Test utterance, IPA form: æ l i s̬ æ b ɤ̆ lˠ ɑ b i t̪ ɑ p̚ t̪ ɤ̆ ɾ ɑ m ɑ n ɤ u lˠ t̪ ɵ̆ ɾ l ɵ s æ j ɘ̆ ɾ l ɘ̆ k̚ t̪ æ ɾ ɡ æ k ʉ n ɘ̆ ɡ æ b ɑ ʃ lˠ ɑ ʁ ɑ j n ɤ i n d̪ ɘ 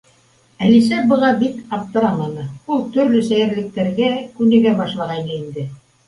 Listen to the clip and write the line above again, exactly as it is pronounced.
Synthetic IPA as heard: æ l i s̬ æ b ɤ̆ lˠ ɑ b i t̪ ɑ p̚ t̪ ɤ̆ ɾ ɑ m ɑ n ɤ u lˠ t̪ ɵ̆ ɾ l ɵ s æ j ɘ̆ ɾ l ɘ̆ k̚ t̪ æ ɾ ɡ æ k ʉ n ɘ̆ ɡ æ b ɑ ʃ lˠ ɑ ʁ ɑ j n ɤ i n d̪ ɘ